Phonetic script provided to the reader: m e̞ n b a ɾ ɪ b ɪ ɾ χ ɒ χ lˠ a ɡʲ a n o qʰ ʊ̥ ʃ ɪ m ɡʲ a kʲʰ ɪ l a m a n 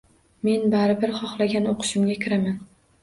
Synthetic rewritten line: m e̞ n b a ɾ ɪ b ɪ ɾ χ ɒ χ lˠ a ɡʲ a n o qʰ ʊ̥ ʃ ɪ m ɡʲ a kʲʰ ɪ ɾ a m a n